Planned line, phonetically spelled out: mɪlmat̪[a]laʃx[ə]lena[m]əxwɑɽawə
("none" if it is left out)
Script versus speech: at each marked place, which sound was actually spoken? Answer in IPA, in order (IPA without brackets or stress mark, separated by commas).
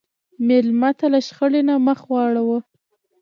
a, ə, m